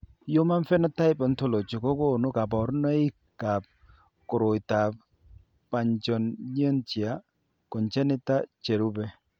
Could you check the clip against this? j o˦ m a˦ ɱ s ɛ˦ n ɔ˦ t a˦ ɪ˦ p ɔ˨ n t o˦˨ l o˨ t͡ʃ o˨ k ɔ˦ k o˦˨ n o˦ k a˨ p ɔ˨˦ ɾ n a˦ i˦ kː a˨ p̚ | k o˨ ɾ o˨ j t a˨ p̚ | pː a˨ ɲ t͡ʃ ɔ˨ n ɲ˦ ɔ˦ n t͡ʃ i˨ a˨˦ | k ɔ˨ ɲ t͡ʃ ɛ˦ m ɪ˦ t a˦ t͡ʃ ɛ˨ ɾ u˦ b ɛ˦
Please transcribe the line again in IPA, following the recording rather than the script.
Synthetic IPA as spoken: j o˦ m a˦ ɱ f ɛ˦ n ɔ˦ t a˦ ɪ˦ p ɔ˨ n t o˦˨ l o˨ t͡ʃ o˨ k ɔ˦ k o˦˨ n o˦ k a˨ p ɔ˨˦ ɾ n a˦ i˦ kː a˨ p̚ | k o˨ ɾ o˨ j t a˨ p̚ | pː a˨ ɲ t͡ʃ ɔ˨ n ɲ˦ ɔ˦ n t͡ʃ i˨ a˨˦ | k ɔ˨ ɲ t͡ʃ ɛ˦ n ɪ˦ t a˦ t͡ʃ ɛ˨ ɾ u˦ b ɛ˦